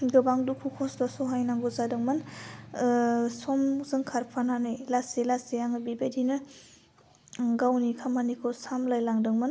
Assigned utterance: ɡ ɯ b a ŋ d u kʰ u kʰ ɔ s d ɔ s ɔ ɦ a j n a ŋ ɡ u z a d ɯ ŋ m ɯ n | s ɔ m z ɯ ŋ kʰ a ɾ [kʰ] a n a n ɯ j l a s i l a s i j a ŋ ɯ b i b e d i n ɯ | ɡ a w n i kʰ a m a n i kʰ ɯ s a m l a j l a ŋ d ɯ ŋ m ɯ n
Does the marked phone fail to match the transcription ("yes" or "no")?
yes